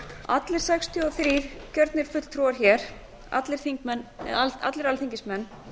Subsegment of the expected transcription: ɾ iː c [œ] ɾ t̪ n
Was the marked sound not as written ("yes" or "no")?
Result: no